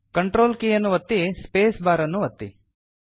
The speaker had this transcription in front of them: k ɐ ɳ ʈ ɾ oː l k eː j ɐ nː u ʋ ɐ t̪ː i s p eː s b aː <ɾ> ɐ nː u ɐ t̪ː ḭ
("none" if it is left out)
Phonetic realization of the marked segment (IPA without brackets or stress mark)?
ɾ